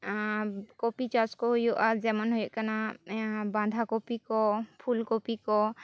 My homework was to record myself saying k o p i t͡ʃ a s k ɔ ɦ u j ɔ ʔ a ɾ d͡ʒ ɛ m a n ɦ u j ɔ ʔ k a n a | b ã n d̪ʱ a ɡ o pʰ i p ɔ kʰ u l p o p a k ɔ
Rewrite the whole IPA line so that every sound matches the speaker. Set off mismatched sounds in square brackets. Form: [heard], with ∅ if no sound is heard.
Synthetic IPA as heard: k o p i t͡ʃ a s k ɔ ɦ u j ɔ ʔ a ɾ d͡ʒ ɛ m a n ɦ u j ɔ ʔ k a n a | b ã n d̪ʱ a [k] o [p] i [k] ɔ [pʰ] u l [k] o p [i] k ɔ